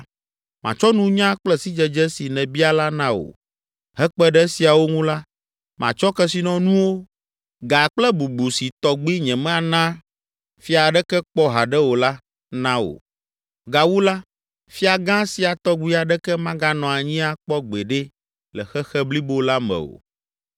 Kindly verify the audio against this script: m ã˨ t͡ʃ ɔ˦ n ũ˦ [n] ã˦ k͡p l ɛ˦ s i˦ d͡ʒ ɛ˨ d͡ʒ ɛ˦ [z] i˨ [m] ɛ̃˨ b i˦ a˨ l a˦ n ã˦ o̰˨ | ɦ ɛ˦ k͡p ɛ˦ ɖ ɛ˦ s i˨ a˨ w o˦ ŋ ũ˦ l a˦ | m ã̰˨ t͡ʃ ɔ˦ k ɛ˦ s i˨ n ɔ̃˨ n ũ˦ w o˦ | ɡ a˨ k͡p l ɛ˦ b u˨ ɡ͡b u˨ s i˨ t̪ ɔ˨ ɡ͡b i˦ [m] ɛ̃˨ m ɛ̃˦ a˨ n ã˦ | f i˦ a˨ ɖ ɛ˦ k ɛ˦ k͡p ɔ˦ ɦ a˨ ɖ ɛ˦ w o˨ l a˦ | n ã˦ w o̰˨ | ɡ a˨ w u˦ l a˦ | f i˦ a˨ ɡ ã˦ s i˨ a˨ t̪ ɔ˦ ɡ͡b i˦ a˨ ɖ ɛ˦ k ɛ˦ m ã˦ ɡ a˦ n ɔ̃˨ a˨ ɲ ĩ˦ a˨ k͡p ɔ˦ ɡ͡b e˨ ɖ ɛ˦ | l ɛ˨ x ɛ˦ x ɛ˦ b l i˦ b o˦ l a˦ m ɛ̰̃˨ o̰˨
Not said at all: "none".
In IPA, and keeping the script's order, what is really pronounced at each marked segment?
ɲ, s, n, ɲ

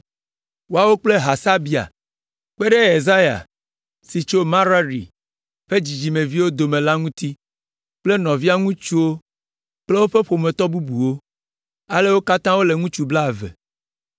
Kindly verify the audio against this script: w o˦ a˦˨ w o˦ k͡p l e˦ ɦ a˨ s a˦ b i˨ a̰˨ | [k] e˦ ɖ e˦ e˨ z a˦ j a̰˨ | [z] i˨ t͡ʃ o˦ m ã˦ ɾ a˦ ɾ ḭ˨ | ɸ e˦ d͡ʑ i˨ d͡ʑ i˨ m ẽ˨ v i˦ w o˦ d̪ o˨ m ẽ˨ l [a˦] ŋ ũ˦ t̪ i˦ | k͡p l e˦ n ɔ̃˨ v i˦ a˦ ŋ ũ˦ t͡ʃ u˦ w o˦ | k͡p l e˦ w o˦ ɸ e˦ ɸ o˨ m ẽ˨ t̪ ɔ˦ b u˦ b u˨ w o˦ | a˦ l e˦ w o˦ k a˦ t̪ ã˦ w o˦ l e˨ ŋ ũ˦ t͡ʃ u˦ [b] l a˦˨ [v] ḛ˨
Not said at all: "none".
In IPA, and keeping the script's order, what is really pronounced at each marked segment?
k͡p, s, a˦, b, v

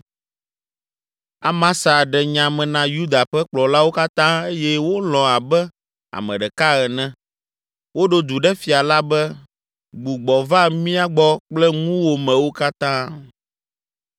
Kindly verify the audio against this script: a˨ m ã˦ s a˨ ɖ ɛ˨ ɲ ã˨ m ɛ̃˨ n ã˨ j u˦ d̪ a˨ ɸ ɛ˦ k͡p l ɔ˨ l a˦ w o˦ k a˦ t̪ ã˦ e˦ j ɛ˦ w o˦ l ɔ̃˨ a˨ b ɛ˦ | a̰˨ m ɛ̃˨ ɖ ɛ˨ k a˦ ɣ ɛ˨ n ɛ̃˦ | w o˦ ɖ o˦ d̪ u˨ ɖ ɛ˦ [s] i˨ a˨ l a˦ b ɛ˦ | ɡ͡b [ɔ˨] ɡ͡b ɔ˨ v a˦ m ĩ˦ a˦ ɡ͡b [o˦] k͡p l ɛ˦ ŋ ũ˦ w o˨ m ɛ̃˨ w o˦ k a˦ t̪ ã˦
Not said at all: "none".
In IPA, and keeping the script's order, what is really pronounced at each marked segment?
f, u˨, ɔ˦

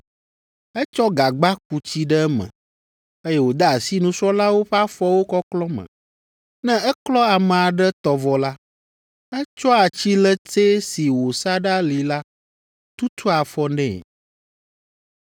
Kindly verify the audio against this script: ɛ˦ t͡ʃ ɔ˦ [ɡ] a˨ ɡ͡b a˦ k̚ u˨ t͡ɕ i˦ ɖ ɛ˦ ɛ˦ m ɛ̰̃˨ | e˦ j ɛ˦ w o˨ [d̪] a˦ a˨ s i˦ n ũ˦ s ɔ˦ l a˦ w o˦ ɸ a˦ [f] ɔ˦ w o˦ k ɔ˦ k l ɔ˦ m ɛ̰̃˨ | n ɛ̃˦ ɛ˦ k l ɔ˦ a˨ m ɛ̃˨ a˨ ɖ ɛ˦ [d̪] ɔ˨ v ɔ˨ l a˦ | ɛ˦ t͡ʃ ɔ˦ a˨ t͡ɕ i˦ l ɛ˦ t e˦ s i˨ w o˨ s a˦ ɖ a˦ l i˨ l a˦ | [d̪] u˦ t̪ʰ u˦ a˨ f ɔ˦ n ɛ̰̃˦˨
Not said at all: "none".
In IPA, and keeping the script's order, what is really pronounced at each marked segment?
ɡ, d̪, f, t̪, t̪

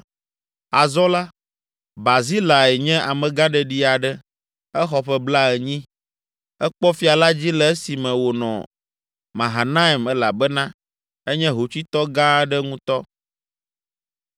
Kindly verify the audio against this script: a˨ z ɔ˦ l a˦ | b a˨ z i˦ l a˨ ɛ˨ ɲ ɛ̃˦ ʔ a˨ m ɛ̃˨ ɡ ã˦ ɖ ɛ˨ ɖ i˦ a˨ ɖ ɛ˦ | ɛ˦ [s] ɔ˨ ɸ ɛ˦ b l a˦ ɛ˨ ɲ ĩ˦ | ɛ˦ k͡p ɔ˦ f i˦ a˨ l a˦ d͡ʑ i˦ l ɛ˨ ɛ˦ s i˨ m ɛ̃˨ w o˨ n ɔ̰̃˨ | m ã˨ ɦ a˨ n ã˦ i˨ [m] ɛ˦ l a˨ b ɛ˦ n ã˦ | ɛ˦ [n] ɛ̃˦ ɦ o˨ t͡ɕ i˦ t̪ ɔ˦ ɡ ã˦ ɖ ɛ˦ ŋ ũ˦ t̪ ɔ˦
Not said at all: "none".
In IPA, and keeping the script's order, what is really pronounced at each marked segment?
x, m, ɲ

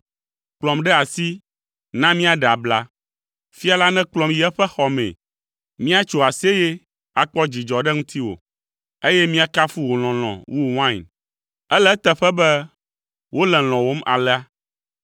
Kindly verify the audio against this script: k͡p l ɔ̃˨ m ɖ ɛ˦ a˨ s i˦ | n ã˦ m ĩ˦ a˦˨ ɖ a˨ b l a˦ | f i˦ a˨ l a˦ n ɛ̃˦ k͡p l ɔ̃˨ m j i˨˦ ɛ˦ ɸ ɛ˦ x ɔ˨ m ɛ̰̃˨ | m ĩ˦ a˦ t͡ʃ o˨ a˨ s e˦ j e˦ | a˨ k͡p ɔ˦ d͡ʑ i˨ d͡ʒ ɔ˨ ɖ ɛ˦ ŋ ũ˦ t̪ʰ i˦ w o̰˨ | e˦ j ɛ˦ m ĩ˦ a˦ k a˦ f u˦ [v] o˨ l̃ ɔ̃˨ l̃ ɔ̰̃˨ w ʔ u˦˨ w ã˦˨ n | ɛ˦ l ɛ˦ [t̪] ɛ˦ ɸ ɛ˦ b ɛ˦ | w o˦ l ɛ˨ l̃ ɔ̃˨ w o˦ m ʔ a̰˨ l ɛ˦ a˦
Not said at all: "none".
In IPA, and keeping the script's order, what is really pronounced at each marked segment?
w, t̪

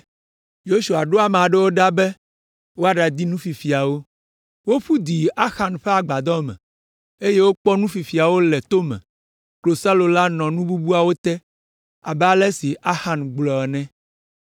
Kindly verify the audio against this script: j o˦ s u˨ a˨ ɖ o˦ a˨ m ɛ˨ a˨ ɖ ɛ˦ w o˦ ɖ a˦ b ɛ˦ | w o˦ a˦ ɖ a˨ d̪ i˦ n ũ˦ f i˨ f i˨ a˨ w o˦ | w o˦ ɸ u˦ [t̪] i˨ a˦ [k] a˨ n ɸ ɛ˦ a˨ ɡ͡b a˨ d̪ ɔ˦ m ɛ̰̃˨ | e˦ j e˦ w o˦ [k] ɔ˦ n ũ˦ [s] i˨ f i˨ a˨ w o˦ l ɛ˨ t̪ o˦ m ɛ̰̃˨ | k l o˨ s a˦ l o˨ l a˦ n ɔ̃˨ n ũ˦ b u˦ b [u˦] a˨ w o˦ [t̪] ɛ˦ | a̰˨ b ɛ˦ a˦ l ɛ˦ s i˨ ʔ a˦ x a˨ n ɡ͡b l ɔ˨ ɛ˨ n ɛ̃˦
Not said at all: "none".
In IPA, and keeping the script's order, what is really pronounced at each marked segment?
d̪, x, k͡p, f, u˦, t̪

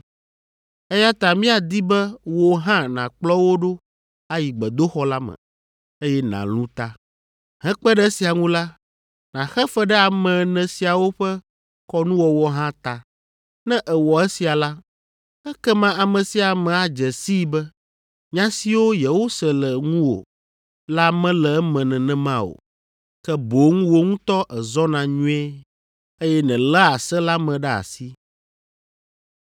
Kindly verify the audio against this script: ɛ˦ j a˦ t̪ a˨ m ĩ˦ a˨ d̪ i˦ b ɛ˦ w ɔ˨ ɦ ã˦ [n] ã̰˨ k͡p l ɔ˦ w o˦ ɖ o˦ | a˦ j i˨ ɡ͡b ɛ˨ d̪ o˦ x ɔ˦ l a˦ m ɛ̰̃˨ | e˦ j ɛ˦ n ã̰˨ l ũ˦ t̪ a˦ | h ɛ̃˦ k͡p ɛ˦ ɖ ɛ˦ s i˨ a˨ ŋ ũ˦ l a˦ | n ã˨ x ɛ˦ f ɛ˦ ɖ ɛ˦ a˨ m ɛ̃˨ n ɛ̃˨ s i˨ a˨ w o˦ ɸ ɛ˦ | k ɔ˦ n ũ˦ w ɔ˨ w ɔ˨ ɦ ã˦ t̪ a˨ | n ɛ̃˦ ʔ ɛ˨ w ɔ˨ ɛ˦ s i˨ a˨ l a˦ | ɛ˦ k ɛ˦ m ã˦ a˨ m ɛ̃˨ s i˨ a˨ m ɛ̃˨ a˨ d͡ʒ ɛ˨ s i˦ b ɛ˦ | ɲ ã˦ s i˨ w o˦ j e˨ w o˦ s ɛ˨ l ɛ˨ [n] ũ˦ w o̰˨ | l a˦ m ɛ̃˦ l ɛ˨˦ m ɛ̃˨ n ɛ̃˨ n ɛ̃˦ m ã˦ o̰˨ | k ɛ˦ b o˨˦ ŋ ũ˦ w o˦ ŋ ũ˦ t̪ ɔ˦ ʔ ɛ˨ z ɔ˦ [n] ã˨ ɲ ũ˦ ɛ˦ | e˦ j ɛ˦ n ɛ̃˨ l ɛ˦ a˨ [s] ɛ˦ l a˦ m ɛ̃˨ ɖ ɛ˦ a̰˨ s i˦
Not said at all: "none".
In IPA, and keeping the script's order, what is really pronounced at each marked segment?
n, ŋ, n, s

